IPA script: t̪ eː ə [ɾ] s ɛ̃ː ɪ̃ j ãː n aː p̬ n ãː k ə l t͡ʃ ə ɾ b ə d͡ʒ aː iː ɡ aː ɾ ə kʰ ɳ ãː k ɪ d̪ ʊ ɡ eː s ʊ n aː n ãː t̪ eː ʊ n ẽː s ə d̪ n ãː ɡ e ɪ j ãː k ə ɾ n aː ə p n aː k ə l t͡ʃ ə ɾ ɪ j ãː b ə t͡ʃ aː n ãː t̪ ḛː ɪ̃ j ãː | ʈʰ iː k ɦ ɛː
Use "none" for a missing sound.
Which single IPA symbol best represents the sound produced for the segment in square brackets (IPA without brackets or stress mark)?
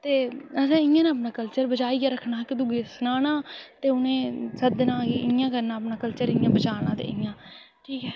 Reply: none